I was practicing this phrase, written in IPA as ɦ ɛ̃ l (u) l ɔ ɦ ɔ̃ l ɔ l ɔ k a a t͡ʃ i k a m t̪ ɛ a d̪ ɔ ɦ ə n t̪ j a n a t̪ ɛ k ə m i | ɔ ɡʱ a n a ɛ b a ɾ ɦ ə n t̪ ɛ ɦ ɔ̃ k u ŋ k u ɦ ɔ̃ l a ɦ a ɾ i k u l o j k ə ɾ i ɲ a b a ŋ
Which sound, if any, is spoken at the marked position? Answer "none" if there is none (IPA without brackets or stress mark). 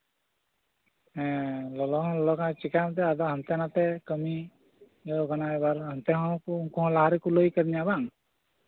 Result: ɔ